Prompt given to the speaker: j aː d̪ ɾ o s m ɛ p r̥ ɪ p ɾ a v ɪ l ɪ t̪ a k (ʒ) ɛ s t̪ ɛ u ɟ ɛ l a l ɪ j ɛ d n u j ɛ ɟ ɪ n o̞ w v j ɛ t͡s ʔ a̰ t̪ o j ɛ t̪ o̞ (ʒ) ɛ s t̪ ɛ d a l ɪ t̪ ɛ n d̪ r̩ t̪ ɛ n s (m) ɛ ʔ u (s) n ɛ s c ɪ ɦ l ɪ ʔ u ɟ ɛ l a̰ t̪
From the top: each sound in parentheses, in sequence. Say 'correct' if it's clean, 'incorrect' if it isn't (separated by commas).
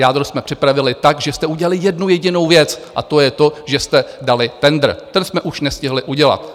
correct, correct, correct, incorrect